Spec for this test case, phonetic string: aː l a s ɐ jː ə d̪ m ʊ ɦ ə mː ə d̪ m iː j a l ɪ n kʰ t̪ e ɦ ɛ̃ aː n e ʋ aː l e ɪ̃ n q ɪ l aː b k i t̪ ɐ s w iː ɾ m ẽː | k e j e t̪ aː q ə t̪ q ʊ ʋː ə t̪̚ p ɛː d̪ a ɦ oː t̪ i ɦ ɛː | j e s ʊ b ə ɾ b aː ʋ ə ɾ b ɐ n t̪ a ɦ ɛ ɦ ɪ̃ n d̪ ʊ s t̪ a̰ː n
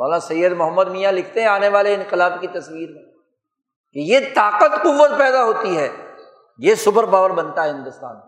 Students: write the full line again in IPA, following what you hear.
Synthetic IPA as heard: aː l a s ɐ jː ə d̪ m ʊ ɦ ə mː ə d̪ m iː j a l ɪ kʰ t̪ e ɦ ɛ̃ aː n e ʋ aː l e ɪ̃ n q ɪ l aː b k i t̪ ɐ s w iː ɾ m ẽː | k e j e t̪ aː q ə t̪ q ʊ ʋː ə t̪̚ p ɛː d̪ a ɦ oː t̪ i ɦ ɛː | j e s ʊ b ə ɾ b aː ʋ ə ɾ b ɐ n t̪ a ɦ ɛ ɦ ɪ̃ n d̪ ʊ s t̪ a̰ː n